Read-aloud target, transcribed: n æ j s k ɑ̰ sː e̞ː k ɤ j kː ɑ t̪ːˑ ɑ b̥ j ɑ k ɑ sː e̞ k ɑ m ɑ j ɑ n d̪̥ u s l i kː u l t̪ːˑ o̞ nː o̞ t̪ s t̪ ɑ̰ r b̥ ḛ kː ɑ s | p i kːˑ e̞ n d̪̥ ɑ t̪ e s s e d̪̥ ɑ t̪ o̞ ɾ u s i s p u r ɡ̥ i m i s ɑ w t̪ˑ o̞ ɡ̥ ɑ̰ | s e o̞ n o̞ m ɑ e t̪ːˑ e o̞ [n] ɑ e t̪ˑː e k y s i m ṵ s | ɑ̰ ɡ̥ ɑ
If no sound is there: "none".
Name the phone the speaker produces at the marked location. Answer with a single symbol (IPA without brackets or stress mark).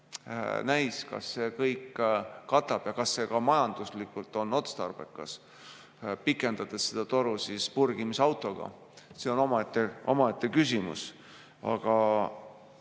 m